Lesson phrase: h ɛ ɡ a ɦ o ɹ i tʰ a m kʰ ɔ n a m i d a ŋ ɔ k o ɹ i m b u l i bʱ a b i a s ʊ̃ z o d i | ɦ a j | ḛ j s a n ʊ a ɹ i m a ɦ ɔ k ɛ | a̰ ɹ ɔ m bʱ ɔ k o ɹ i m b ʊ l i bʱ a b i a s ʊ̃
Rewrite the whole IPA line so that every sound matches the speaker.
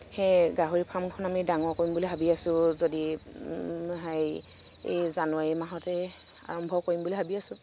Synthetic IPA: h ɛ ɡ a ɦ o ɹ i pʰ a m kʰ ɔ n a m i d a ŋ ɔ k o ɹ i m b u l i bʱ a b i a s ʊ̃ z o d i | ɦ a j | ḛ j z a n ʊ a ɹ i m a ɦ ɔ t ɛ | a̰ ɹ ɔ m bʱ ɔ k o ɹ i m b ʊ l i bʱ a b i a s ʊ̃